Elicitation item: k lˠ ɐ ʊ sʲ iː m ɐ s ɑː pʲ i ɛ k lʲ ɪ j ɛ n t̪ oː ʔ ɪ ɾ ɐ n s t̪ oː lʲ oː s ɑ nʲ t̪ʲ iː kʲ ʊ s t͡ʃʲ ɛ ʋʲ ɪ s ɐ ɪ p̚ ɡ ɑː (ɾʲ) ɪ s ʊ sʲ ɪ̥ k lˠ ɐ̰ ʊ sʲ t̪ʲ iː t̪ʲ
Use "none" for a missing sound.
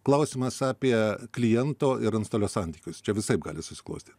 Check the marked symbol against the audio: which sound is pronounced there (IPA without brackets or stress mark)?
lʲ